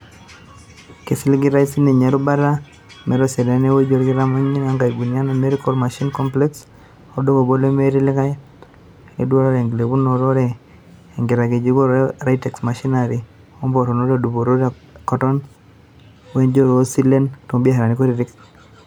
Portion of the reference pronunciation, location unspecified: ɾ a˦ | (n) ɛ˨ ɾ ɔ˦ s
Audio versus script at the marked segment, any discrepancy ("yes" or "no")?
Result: yes